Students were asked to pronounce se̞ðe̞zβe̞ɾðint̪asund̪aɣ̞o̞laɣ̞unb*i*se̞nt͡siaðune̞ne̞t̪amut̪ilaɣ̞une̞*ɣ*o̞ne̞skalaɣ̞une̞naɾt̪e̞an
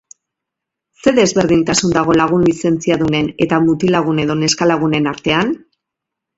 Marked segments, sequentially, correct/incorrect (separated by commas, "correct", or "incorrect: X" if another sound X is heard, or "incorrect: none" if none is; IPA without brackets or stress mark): correct, incorrect: ð